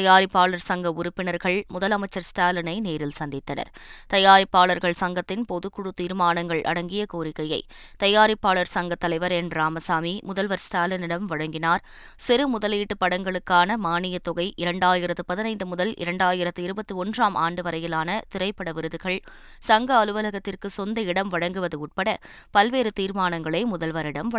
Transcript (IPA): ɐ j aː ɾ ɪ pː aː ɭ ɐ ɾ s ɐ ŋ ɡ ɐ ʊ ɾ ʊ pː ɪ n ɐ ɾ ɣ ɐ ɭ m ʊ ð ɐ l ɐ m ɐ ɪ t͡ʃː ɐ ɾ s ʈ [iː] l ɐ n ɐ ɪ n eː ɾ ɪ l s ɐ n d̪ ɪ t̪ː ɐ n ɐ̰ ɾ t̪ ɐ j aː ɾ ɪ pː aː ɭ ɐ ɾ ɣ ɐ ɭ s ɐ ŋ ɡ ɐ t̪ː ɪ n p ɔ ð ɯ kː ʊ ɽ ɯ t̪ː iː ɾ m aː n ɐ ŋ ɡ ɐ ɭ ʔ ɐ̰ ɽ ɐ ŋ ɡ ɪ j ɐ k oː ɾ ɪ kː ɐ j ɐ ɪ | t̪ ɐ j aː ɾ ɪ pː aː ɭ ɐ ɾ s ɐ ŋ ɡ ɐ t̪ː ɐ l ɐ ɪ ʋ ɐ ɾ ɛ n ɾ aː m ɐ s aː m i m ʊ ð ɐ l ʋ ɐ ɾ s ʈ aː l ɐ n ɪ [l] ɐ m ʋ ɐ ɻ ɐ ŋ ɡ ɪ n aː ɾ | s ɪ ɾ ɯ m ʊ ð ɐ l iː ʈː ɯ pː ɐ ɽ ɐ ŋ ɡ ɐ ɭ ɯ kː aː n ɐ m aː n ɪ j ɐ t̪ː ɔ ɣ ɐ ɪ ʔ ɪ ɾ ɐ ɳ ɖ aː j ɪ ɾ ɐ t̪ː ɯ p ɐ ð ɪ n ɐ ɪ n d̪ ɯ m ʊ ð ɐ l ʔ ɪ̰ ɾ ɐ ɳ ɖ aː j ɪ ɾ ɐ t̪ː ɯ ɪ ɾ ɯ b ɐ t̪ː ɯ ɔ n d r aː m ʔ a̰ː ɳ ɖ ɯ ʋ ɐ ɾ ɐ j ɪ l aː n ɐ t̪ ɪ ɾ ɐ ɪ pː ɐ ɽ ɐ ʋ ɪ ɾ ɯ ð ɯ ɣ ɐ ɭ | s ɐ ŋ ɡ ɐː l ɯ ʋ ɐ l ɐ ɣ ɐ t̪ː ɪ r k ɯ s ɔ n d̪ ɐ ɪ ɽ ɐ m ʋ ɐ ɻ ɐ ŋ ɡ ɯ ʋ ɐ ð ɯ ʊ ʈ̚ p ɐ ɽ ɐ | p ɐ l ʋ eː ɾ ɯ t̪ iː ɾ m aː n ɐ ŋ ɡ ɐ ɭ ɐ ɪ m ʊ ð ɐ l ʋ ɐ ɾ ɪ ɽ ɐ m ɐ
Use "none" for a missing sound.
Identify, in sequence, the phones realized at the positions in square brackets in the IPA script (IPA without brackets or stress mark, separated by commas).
aː, ɽ